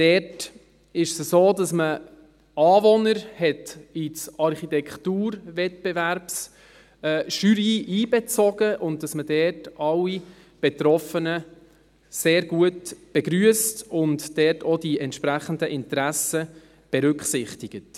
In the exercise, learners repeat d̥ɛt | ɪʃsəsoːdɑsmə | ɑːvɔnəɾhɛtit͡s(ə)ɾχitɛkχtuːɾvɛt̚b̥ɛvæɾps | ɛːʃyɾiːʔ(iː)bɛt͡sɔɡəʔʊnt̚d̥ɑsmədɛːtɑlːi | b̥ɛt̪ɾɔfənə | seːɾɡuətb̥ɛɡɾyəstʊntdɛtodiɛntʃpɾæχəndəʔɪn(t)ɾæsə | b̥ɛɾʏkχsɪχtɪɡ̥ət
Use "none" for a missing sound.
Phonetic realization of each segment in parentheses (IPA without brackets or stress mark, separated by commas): ɑ, iː, t